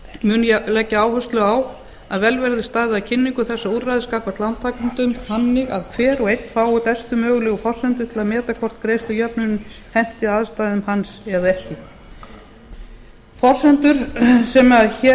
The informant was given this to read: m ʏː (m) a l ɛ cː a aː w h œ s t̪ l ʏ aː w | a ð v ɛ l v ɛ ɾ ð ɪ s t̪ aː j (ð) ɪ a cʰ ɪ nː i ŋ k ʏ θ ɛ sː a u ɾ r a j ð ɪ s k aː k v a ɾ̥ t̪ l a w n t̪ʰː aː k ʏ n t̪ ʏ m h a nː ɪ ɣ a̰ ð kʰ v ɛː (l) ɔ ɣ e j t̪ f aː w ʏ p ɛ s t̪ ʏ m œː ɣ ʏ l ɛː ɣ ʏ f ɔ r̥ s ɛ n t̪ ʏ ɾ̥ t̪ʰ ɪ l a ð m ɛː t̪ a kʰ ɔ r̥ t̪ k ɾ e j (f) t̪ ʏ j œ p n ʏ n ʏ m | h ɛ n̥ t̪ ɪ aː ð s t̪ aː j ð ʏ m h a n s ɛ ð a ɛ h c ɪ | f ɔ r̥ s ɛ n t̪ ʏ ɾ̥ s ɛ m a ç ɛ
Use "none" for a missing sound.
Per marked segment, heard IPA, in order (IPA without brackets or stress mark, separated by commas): n, ð, ɾ, s